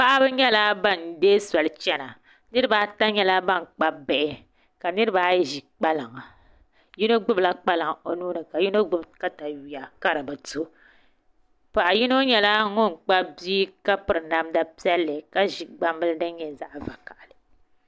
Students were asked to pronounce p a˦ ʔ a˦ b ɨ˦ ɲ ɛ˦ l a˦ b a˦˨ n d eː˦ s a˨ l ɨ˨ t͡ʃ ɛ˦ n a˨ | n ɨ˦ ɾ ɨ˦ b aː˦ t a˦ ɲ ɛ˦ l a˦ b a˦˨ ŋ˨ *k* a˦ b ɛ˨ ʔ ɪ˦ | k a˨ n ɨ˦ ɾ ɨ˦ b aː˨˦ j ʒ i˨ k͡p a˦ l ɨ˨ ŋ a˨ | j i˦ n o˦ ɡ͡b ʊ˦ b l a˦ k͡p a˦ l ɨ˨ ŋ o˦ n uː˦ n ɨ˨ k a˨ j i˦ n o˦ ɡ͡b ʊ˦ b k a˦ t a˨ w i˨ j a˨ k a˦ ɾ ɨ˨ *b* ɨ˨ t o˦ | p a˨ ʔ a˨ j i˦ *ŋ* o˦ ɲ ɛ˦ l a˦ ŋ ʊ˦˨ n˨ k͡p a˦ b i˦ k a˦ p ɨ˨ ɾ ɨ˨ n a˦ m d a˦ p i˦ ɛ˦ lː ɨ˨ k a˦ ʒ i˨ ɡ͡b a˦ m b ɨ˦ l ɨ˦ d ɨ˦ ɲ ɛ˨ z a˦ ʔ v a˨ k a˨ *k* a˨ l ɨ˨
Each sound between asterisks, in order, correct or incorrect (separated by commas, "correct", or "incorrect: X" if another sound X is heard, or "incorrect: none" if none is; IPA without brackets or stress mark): incorrect: k͡p, correct, incorrect: n, incorrect: ʔ